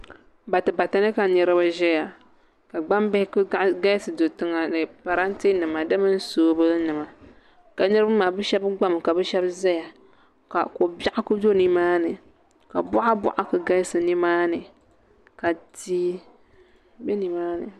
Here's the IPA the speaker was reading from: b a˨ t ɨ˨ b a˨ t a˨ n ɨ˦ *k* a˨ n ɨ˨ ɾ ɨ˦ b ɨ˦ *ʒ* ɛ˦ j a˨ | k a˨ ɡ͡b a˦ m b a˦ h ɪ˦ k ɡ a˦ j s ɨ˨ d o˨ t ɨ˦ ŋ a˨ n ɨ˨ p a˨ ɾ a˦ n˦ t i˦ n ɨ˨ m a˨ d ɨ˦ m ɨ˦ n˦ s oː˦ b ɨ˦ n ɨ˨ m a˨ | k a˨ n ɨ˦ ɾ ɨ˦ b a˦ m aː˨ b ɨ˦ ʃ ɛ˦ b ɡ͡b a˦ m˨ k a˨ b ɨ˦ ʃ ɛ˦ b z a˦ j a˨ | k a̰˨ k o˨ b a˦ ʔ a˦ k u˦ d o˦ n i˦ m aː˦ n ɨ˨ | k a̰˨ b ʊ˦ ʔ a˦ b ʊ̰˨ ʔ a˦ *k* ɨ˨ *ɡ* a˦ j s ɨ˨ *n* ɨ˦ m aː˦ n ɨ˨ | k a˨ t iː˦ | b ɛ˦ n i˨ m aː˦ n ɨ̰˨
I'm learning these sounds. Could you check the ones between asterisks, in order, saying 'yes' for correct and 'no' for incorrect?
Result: yes, yes, yes, yes, yes

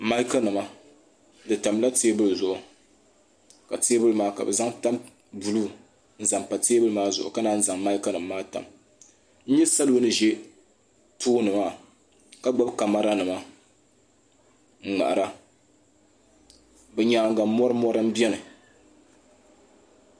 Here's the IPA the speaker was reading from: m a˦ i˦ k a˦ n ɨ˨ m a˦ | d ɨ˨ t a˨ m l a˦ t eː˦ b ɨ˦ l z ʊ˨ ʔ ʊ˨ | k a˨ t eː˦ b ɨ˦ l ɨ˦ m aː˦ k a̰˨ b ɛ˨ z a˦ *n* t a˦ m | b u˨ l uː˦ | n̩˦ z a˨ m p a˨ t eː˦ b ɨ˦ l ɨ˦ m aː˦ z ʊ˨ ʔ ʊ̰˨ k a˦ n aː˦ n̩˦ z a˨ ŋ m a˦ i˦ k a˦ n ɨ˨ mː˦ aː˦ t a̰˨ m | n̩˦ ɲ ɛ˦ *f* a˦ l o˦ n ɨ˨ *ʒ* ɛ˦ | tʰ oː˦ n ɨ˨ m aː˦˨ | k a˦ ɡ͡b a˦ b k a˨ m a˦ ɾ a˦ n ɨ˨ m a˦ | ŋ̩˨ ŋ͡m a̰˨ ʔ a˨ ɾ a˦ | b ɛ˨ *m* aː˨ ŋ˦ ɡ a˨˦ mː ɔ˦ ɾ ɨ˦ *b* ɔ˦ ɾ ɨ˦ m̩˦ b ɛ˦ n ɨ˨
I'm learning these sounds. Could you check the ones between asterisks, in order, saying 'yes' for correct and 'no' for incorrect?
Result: no, no, yes, no, no

